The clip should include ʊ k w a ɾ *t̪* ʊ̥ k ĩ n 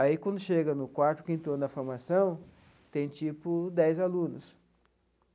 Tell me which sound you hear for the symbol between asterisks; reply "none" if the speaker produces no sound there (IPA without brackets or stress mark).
t̪